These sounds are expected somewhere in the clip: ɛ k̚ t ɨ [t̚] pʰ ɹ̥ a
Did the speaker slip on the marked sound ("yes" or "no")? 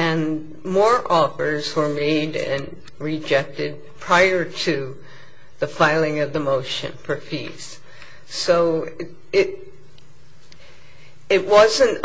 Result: yes